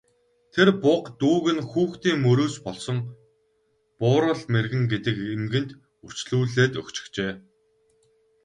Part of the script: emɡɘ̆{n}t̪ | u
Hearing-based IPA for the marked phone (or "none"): n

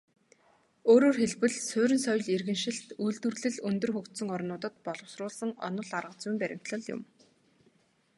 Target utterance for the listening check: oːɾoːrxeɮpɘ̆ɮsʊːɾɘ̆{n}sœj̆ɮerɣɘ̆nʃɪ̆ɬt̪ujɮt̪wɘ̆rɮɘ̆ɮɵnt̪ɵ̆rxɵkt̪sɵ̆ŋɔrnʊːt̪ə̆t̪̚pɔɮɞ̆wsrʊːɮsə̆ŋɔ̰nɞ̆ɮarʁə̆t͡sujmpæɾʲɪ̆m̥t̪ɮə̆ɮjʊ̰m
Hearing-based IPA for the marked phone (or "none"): n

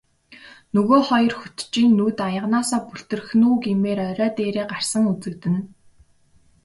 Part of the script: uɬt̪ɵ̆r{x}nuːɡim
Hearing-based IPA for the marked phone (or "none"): x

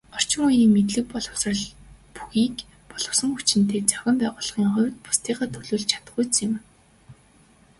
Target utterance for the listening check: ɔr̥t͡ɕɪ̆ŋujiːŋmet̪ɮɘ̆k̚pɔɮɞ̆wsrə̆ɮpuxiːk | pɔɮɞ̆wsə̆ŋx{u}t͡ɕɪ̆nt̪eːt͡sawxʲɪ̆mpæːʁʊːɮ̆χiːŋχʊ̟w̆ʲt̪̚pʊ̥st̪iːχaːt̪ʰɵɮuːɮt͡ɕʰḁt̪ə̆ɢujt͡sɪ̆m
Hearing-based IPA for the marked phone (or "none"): u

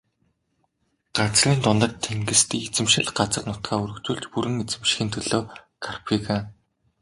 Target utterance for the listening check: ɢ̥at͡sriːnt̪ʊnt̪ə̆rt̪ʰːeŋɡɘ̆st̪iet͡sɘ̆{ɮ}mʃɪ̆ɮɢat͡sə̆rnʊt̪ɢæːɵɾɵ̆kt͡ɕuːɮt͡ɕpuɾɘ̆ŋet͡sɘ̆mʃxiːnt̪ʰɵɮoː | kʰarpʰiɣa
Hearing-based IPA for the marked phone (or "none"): none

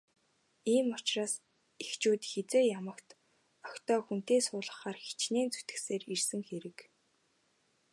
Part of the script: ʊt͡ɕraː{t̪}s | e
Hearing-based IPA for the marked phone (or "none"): none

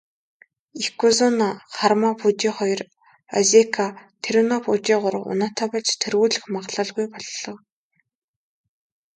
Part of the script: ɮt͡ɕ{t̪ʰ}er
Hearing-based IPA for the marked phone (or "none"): t̪ʰ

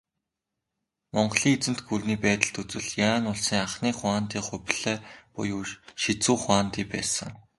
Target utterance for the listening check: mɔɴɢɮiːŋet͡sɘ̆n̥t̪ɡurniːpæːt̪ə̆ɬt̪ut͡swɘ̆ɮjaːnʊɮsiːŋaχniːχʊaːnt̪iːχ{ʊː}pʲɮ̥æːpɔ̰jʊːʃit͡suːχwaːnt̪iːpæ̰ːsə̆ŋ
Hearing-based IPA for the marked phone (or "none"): ʊ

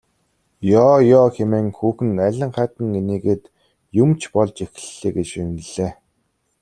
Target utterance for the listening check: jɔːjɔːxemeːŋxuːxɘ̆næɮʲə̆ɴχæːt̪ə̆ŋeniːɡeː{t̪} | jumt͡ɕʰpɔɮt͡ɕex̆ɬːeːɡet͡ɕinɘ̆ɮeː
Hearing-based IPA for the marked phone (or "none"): t̪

